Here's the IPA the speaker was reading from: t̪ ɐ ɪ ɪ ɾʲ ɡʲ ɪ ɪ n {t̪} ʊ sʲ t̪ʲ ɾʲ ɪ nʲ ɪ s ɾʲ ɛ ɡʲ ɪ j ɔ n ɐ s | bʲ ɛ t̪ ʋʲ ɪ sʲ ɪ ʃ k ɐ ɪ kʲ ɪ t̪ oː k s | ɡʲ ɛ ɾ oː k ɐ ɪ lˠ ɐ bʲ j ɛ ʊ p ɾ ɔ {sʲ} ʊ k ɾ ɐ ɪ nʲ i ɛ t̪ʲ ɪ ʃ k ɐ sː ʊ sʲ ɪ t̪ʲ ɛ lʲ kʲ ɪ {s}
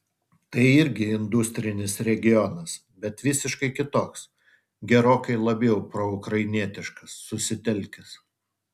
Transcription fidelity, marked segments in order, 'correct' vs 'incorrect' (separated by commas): incorrect, incorrect, correct